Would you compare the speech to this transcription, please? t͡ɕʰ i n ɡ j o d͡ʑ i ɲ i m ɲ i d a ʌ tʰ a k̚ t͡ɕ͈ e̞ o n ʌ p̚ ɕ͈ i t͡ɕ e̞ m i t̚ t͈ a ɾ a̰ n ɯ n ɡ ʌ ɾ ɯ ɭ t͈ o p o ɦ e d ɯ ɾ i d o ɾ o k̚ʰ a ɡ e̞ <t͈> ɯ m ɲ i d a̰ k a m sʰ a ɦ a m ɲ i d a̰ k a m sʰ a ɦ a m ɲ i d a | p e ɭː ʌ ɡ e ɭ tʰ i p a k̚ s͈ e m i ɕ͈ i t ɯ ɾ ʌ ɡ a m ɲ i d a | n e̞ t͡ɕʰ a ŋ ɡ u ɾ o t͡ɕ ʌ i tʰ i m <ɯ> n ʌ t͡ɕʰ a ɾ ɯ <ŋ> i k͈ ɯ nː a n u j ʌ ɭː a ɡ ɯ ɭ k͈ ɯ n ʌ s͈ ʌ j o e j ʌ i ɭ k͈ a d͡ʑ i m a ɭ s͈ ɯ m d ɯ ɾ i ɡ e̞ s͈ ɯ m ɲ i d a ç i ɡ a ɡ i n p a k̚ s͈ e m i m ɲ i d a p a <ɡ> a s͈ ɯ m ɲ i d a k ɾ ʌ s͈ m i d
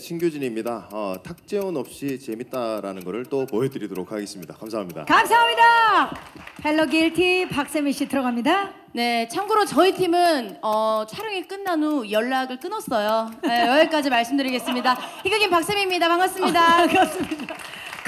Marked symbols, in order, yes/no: no, yes, yes, no

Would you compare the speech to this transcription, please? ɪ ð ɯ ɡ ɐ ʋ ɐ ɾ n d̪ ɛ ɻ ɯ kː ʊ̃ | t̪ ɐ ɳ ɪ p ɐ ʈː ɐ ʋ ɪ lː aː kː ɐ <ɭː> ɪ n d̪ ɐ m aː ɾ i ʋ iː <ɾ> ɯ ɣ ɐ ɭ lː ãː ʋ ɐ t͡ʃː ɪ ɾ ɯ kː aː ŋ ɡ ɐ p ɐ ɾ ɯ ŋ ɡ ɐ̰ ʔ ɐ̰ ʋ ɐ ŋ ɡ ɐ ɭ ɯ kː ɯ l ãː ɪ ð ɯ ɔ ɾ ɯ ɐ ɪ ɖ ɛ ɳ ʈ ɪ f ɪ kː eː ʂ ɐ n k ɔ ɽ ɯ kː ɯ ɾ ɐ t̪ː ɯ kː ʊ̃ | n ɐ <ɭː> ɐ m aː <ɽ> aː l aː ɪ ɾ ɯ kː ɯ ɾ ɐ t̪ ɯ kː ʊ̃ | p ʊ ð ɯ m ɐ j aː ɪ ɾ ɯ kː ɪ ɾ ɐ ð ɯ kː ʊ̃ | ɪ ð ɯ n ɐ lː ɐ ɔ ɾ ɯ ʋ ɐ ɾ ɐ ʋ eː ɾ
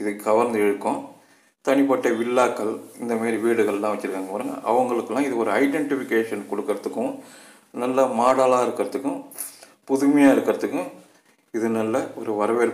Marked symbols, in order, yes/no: no, no, no, yes

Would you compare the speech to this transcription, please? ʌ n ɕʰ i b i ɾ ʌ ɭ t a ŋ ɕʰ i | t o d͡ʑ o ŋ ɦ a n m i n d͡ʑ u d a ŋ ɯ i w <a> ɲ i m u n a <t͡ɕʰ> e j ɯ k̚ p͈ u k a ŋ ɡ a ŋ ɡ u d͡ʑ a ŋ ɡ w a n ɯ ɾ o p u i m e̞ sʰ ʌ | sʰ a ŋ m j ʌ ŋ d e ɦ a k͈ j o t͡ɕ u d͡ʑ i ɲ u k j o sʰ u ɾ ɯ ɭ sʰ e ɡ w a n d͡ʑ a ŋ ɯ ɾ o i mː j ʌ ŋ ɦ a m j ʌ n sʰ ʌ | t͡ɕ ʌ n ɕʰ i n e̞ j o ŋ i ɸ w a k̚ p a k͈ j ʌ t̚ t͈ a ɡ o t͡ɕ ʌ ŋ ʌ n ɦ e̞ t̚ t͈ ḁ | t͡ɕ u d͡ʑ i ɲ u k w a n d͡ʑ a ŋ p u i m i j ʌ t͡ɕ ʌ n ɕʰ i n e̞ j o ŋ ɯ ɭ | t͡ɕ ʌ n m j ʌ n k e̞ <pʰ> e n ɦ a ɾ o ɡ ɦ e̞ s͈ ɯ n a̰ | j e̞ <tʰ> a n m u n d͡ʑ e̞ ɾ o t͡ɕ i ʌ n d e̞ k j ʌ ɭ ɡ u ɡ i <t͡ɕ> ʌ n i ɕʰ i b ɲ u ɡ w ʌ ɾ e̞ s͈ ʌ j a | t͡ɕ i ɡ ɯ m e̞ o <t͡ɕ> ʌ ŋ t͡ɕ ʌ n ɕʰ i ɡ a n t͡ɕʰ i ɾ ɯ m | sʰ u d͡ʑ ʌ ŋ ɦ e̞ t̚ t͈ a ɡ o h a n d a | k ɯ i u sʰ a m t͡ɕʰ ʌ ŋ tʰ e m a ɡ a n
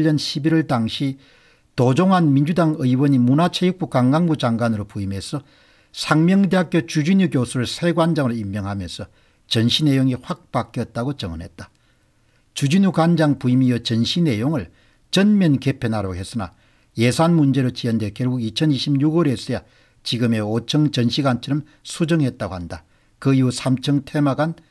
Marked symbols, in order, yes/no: no, yes, yes, no, no, no

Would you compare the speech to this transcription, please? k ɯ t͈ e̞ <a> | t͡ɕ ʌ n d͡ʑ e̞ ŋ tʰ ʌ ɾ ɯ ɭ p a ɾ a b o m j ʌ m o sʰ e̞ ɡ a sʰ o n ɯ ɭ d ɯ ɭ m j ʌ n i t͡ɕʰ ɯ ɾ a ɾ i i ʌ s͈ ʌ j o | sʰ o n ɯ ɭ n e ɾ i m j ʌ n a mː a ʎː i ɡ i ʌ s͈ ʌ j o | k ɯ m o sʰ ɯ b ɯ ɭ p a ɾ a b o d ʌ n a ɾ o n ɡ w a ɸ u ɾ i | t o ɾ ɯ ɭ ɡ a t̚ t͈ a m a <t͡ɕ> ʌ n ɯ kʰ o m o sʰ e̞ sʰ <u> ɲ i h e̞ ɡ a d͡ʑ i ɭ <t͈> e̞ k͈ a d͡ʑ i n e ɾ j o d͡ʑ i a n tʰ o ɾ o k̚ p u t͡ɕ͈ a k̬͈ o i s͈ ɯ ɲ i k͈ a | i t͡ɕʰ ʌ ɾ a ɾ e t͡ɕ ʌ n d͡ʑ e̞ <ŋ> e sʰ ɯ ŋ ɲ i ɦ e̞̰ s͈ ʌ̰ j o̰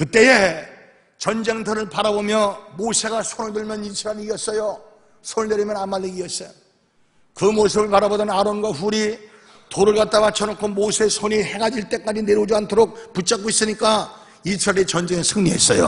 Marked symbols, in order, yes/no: no, no, no, yes, yes

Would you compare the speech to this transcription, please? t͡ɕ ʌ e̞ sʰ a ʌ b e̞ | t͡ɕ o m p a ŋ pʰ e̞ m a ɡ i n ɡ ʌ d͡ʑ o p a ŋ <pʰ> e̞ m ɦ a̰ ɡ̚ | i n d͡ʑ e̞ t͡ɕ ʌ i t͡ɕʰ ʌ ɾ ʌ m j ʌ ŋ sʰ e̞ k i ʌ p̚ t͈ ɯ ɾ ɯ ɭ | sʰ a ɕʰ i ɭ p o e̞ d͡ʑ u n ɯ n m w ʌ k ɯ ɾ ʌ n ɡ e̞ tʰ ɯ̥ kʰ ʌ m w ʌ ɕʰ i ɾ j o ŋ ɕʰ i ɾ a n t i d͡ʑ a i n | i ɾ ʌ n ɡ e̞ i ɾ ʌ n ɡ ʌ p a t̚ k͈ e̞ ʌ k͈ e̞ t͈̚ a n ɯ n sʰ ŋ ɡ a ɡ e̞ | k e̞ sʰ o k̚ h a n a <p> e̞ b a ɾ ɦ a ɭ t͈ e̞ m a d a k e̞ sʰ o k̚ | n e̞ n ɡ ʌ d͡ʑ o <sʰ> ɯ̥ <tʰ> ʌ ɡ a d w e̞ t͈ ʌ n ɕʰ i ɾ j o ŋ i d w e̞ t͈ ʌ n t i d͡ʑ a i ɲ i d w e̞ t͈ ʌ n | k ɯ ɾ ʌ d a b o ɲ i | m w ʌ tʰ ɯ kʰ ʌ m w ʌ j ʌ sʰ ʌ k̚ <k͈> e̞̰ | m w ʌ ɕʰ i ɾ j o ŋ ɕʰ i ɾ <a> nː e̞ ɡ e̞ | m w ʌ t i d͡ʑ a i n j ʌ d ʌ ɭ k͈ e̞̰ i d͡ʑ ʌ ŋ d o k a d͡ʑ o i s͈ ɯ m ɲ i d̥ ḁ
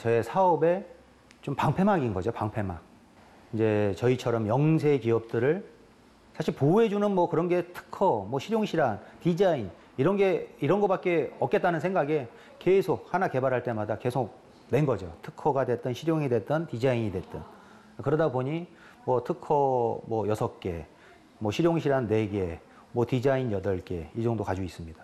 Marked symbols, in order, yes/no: yes, no, no, no, yes, yes

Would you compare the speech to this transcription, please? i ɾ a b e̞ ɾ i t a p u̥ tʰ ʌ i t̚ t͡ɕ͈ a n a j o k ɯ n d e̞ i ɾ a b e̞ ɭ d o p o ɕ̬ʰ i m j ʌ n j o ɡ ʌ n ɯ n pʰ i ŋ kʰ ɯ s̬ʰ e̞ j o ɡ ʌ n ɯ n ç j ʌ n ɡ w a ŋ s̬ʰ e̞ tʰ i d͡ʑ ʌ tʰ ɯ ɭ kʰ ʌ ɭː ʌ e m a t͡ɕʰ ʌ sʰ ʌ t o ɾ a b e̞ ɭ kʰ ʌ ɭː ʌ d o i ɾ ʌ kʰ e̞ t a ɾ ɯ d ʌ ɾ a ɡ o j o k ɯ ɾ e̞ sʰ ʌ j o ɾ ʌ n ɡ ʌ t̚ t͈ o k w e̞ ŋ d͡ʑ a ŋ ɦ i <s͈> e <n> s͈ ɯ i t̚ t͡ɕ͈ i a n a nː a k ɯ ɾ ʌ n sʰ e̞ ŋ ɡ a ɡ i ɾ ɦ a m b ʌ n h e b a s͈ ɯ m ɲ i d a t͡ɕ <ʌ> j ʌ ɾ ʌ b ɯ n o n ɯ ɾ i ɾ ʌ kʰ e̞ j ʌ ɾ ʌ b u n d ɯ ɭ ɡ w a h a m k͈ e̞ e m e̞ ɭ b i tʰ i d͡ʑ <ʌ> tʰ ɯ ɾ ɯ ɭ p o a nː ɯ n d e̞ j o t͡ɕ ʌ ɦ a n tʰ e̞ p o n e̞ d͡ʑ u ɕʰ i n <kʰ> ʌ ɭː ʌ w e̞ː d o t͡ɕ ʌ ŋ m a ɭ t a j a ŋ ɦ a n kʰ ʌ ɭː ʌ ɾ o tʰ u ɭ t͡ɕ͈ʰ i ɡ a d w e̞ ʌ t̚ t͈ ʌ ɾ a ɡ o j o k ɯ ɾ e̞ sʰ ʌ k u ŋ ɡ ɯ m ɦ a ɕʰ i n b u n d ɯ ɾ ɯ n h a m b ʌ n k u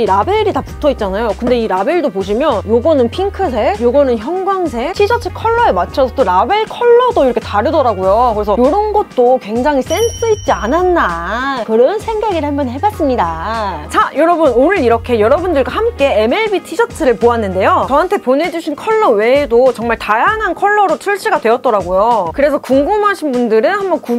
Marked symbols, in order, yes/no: yes, yes, no, yes, yes

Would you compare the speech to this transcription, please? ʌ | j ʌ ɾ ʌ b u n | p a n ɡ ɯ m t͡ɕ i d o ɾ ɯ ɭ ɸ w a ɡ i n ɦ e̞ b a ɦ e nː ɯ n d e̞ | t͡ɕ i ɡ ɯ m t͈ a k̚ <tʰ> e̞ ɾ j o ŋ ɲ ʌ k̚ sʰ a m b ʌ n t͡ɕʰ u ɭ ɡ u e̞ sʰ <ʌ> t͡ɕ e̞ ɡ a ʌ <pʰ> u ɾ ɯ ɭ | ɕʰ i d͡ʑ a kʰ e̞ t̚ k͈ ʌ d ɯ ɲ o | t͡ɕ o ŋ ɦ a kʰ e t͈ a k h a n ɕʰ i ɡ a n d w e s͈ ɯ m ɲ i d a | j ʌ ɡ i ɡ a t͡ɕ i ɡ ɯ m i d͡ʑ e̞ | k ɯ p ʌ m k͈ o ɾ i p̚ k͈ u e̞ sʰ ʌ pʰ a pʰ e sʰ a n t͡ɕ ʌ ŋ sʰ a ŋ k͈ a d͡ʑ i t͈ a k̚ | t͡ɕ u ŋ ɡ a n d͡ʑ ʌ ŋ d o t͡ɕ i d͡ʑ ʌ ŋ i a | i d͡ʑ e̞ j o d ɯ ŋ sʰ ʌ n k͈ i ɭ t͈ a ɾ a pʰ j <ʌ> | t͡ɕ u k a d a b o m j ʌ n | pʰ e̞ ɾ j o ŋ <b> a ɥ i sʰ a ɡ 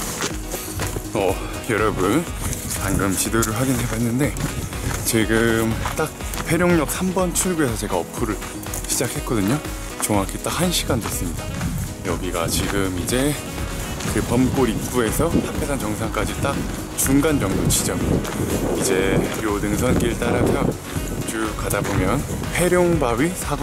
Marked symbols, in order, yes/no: no, yes, yes, yes, yes

